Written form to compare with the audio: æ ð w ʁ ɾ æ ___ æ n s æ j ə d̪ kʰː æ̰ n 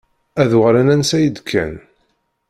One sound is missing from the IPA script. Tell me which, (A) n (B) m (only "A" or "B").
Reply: A